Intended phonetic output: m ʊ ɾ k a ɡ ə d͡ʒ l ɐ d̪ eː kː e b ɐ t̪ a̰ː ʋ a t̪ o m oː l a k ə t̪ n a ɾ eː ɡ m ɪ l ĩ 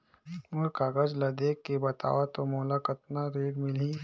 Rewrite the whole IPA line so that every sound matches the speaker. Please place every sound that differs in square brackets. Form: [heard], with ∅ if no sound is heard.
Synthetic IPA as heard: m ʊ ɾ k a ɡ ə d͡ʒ l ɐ d̪ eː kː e b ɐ t̪ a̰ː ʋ a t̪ o m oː l a k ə t̪ n a ɾ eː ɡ m ɪ l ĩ